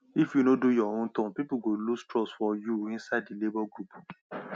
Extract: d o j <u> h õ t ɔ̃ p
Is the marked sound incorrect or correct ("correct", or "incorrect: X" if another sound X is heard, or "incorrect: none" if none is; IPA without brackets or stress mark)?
incorrect: ɔ